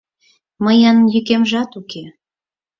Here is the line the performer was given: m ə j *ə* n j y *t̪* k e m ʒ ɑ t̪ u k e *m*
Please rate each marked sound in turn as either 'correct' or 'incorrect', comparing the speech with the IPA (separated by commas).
incorrect, incorrect, incorrect